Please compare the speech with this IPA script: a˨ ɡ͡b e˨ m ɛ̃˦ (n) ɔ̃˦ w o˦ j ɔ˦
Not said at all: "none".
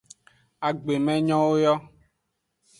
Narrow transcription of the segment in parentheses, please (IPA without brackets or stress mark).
ɲ